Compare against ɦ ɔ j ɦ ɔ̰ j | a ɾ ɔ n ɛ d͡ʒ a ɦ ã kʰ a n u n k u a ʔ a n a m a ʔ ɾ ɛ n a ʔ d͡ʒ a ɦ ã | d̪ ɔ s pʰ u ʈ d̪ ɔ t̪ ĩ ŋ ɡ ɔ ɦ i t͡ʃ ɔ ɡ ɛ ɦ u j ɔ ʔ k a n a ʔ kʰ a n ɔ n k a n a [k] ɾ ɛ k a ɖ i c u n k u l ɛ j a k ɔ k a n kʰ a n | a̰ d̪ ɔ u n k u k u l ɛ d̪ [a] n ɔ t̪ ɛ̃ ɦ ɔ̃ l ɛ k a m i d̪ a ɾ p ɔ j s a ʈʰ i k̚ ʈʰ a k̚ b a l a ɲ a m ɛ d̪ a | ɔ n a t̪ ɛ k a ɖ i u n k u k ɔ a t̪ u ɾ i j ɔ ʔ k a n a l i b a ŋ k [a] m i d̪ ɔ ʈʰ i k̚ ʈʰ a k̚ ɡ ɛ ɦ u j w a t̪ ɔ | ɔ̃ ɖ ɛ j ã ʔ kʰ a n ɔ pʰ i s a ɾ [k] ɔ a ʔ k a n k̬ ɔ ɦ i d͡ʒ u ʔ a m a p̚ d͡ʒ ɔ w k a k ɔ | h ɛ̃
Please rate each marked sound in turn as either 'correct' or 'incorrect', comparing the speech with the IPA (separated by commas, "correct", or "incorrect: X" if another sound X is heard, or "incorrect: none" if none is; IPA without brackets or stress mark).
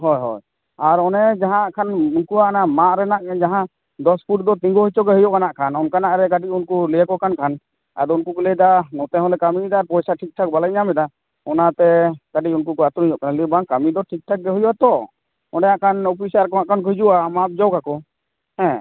incorrect: ʔ, correct, correct, correct